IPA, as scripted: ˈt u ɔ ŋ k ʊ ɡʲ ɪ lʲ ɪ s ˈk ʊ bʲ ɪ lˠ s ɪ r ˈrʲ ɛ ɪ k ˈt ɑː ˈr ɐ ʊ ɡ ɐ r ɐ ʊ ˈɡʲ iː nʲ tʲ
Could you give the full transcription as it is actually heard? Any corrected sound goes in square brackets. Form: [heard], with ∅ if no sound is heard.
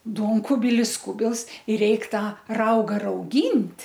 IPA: [ˈd] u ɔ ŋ k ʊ [bʲ] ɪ lʲ ɪ s ˈk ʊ bʲ ɪ lˠ s ɪ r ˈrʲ ɛ ɪ k ˈt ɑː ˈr ɐ ʊ ɡ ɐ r ɐ ʊ ˈɡʲ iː nʲ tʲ

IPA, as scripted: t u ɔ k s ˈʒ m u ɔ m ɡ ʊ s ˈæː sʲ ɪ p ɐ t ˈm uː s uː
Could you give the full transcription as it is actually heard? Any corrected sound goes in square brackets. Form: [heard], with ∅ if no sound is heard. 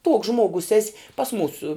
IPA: t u ɔ k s ˈʒ m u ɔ [∅] ɡ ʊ s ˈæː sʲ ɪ p ɐ [s] ˈm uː s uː

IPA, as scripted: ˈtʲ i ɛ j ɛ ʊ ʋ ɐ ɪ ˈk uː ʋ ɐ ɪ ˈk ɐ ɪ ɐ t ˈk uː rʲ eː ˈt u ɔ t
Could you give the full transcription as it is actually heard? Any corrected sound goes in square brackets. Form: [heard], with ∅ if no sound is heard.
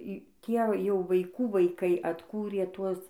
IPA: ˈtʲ i ɛ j ɛ ʊ ʋ ɐ ɪ ˈk uː ʋ ɐ ɪ ˈk ɐ ɪ ɐ t ˈk uː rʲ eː ˈt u ɔ [s]

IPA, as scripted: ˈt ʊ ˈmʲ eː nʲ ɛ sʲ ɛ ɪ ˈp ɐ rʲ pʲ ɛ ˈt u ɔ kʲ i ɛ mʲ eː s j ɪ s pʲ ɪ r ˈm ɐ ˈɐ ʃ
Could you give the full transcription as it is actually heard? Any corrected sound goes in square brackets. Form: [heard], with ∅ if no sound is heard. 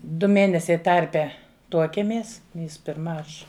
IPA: [ˈd] ʊ ˈmʲ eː nʲ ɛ sʲ ɛ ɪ [ˈt] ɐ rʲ pʲ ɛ ˈt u ɔ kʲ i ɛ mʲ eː s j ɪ s pʲ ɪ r ˈm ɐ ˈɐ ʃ

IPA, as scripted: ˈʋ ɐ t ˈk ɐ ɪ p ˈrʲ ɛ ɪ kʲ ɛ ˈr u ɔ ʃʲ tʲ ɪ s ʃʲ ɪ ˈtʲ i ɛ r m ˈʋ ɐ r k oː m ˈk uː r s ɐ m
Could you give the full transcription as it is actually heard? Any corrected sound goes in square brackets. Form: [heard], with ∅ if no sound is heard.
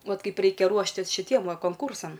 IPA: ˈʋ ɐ t ˈk ɐ ɪ p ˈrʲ ɛ ɪ kʲ ɛ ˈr u ɔ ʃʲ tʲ ɪ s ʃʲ ɪ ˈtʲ i ɛ [∅] m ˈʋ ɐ [∅] k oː [ŋ] ˈk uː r s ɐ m

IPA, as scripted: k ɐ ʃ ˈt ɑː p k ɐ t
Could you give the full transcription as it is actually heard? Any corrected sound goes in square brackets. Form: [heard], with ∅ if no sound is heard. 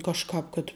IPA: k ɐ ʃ [ˈk] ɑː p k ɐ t

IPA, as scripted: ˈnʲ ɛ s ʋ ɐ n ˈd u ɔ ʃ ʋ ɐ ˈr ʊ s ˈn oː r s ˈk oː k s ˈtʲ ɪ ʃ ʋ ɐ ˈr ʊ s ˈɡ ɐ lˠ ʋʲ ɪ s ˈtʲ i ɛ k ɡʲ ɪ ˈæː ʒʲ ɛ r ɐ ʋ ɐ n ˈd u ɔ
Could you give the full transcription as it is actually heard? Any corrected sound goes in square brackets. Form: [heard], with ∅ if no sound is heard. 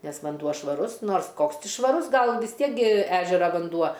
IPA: ˈnʲ ɛ s ʋ ɐ n ˈd u ɔ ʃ ʋ ɐ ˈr ʊ s ˈn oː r s ˈk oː k s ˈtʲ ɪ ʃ ʋ ɐ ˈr ʊ s ˈɡ ɐ lˠ ʋʲ ɪ s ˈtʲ i ɛ k ɡʲ ɪ ˈæː ʒʲ ɛ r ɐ ʋ ɐ n ˈd u ɔ

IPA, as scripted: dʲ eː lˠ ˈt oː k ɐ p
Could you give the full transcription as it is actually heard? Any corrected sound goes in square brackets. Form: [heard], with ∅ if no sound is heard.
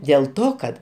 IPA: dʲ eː lˠ ˈt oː k ɐ [t]

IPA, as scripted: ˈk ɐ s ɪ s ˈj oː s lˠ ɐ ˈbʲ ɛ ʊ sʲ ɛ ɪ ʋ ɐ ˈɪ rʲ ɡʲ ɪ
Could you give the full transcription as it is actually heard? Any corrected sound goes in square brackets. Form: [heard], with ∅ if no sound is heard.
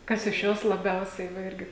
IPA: ˈk ɐ s ɪ [ʃ] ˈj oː s lˠ ɐ ˈbʲ ɛ ʊ sʲ ɛ ɪ ʋ ɐ ˈɪ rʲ ɡʲ ɪ

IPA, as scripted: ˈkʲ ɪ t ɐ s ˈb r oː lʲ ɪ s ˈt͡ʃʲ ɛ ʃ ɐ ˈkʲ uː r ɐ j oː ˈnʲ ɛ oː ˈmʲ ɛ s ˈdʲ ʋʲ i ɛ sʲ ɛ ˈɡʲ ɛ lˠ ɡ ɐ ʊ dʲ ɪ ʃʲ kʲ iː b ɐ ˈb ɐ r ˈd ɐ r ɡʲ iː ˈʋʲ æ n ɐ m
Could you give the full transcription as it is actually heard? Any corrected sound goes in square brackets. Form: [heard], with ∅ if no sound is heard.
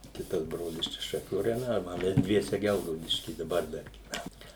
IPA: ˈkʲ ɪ t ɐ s ˈb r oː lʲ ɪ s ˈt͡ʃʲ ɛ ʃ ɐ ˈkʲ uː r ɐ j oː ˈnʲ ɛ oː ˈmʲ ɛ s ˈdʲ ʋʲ i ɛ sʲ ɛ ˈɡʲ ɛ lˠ ɡ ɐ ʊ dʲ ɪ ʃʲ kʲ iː [d] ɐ ˈb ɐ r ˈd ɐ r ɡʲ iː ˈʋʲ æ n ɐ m

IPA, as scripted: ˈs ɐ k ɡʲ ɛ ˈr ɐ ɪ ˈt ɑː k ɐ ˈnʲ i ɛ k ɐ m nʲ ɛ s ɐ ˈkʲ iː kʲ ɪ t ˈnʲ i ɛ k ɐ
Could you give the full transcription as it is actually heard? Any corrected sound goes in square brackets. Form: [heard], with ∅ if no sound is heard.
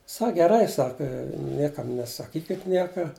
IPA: ˈs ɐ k ɡʲ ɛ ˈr ɐ ɪ [ˈs] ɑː k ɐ ˈnʲ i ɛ k ɐ m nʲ ɛ s ɐ ˈkʲ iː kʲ ɪ t ˈnʲ i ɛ k ɐ

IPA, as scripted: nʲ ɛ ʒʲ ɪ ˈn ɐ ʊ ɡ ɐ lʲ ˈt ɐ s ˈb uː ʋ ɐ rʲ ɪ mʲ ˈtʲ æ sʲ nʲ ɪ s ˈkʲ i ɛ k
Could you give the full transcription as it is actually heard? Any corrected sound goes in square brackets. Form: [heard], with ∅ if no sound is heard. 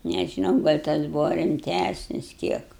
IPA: nʲ ɛ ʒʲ ɪ ˈn ɐ ʊ ɡ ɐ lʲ ˈt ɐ s ˈb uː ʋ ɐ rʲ ɪ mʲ ˈtʲ æ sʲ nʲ ɪ s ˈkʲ i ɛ k

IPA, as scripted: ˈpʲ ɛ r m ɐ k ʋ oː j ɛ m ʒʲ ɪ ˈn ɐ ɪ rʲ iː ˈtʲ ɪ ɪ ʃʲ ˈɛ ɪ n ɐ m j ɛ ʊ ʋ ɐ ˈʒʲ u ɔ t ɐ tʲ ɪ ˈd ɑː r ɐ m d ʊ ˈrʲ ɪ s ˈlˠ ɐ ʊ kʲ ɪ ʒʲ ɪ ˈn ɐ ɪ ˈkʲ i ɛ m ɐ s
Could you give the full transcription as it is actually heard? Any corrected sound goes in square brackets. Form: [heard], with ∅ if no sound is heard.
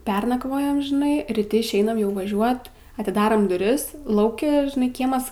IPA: ˈpʲ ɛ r [n] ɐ k ʋ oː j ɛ m ʒʲ ɪ ˈn ɐ ɪ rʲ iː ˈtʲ ɪ ɪ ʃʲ ˈɛ ɪ n ɐ m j ɛ ʊ ʋ ɐ ˈʒʲ u ɔ t ɐ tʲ ɪ ˈd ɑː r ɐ m d ʊ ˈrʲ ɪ s ˈlˠ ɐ ʊ kʲ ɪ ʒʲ ɪ ˈn ɐ ɪ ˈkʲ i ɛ m ɐ s

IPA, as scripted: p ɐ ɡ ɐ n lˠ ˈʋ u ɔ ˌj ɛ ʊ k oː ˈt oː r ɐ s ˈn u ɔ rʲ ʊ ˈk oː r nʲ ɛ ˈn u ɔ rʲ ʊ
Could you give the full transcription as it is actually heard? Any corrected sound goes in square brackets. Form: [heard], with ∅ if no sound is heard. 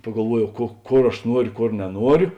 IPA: p ɐ ɡ ɐ [∅] lˠ ˈʋ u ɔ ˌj ɛ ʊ k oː [ˈk] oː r ɐ [ʃ] ˈn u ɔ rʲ ʊ ˈk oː r nʲ ɛ ˈn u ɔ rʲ ʊ

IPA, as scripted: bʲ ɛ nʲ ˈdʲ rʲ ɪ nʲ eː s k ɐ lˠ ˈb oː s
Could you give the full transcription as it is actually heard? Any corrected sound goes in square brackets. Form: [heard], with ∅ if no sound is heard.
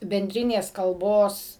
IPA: bʲ ɛ nʲ ˈdʲ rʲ ɪ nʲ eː s k ɐ lˠ ˈb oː s

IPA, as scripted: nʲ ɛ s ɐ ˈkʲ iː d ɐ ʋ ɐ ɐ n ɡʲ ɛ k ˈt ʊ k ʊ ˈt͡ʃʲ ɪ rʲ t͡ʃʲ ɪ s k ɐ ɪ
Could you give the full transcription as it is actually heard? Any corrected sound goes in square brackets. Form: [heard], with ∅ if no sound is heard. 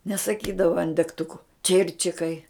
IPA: nʲ ɛ s ɐ ˈkʲ iː d ɐ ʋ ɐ ɐ n [dʲ] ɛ k ˈt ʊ k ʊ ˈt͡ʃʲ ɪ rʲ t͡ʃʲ ɪ [∅] k ɐ ɪ

